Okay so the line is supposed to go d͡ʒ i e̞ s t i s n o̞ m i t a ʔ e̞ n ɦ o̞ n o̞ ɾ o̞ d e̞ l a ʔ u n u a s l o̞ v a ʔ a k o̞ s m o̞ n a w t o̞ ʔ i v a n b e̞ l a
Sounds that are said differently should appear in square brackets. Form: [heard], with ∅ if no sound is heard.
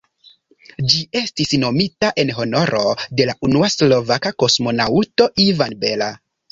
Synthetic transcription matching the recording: d͡ʒ i e̞ s t i s n o̞ m i t a ʔ e̞ n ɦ o̞ n o̞ ɾ o̞ d e̞ l a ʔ u n u a s l o̞ v a [k] a k o̞ s m o̞ n a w t o̞ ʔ i v a n b e̞ l a